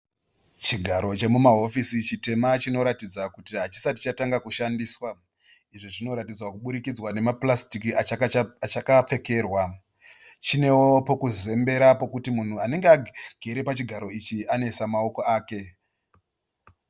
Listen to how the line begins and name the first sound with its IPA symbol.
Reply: t͡ʃ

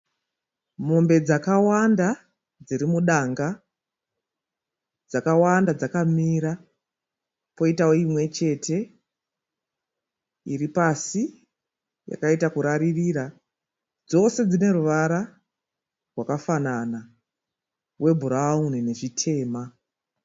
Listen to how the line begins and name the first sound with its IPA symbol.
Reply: m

